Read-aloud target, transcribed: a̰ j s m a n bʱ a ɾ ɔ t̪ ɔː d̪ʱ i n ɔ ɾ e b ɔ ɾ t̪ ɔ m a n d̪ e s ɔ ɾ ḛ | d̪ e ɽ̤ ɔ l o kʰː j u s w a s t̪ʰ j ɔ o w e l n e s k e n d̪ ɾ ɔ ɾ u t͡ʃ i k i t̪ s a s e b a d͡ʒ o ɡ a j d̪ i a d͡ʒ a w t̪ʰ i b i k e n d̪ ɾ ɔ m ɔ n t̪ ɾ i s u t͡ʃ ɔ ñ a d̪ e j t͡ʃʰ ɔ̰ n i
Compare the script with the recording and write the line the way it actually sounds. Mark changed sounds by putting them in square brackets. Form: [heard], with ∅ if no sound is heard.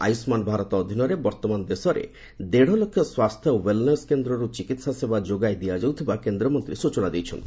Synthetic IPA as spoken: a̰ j s m a n bʱ a ɾ ɔ t̪ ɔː d̪ʱ i n ɔ ɾ e b ɔ ɾ t̪ ɔ m a n d̪ e s ɔ ɾ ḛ | d̪ e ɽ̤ ɔ l o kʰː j [ɔ] s w a s t̪ʰ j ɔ o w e l n e s k e n d̪ ɾ ɔ ɾ u t͡ʃ i k i t̪ s a s e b a d͡ʒ o ɡ a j d̪ i a d͡ʒ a w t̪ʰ i b [a] k e n d̪ ɾ ɔ m ɔ n t̪ ɾ i s u t͡ʃ ɔ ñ a d̪ e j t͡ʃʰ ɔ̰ n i

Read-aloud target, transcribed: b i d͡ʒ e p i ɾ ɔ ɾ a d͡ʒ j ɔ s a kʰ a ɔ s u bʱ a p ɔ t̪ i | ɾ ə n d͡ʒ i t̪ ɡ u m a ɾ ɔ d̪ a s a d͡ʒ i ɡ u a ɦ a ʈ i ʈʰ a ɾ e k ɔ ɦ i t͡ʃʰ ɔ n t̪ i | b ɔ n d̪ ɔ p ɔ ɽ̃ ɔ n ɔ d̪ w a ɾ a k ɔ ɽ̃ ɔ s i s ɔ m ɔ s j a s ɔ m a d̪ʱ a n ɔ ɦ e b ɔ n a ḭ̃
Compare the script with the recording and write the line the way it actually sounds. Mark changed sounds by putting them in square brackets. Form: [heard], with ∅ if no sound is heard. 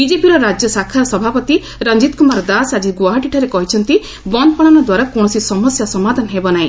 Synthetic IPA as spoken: b i d͡ʒ e p i ɾ ɔ ɾ a d͡ʒ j ɔ s a kʰ a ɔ s [ɔ] bʱ a p ɔ t̪ i | ɾ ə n d͡ʒ i t̪ [k] u m a ɾ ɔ d̪ a s a d͡ʒ i ɡ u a ɦ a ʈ i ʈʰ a ɾ e k ɔ ɦ i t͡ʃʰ ɔ n t̪ i | b ɔ n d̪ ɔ p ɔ ɽ̃ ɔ n ɔ d̪ w a ɾ a k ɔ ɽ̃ ɔ s i s ɔ m ɔ s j a s ɔ m a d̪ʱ a n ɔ ɦ e b ɔ n a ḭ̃

